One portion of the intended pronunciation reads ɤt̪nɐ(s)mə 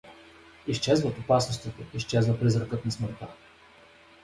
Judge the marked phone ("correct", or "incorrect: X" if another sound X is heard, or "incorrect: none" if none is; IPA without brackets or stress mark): correct